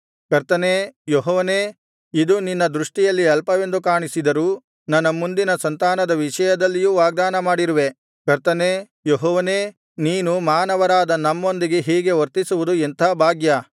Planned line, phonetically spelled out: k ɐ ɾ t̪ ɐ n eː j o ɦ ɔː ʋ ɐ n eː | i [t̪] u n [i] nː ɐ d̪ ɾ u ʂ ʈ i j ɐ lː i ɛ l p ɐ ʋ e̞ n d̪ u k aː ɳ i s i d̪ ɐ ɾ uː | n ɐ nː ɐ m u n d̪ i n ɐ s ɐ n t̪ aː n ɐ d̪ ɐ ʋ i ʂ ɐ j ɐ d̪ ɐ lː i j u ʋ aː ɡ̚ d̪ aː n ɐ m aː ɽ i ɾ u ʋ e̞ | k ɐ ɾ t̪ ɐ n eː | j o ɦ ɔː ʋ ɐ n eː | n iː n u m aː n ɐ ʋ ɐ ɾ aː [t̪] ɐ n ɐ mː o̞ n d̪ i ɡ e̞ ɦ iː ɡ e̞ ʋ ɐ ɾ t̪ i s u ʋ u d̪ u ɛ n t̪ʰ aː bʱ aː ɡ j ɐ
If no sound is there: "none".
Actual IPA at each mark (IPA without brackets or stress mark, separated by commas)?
d̪, i, d̪